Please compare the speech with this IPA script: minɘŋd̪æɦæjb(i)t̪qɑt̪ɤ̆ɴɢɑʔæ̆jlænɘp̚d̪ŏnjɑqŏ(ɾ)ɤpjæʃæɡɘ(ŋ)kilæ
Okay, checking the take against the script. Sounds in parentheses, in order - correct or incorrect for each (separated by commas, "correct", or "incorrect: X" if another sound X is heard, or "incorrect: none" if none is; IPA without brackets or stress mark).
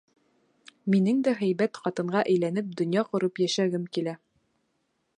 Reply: incorrect: æ, correct, incorrect: m